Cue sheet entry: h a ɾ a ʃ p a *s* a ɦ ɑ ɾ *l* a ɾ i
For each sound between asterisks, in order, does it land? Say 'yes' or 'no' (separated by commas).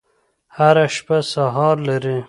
yes, yes